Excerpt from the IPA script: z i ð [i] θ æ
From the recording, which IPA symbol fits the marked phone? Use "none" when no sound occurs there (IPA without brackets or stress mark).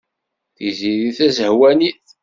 i